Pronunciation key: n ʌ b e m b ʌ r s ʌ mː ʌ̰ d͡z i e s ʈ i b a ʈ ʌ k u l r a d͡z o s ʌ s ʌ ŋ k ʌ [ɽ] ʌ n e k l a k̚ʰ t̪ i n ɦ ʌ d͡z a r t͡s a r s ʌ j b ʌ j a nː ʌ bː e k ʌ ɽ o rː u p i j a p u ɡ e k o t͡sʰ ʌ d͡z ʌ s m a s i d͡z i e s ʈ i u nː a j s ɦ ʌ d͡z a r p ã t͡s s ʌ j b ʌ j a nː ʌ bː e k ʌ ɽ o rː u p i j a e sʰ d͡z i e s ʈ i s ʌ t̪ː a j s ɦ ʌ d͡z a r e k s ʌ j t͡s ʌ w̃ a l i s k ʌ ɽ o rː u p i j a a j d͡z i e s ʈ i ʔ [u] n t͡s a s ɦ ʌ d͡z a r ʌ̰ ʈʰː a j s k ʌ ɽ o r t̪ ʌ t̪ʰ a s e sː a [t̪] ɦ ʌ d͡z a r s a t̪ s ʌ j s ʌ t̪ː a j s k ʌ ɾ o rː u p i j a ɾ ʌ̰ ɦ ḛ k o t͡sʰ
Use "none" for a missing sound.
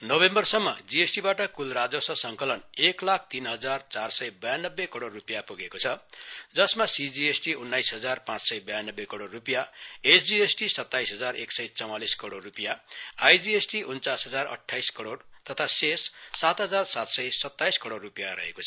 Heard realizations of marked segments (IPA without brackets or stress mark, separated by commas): l, u, t̪